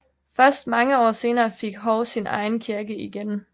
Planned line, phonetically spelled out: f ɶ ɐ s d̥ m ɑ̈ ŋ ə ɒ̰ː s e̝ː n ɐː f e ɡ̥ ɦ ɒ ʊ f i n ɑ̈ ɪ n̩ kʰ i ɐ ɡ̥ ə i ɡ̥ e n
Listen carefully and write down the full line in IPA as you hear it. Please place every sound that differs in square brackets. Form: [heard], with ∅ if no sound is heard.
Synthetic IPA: f ɶ ɐ s d̥ m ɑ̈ ŋ ə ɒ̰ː s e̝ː n ɐː f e ɡ̥ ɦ ɒ ʊ [s] i n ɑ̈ ɪ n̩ kʰ i ɐ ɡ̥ ə i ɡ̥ e n